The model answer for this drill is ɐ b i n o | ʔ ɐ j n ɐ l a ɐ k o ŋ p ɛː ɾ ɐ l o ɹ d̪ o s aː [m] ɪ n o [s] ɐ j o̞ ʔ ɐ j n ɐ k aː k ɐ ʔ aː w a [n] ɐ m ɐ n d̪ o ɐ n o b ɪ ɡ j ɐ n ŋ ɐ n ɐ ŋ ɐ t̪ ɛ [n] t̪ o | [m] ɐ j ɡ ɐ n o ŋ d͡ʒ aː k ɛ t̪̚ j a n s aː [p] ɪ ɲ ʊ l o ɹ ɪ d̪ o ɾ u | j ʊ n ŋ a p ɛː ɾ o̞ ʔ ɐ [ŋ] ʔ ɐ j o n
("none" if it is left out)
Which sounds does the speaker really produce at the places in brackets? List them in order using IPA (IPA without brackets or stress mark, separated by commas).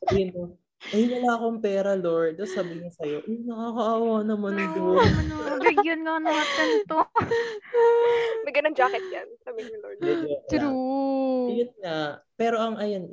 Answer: b, s, n, n, m, b, ŋ